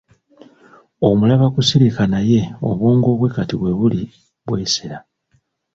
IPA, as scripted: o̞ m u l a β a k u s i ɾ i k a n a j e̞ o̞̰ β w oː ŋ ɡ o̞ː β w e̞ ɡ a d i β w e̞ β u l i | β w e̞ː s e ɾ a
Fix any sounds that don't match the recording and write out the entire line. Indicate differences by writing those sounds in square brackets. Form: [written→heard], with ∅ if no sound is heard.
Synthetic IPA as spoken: o̞ m u l a β a k u s i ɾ i k a n a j e̞ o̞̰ β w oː ŋ ɡ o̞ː β w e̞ [ɡ→k] a [d→t] i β w e̞ β u l i | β w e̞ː s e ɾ a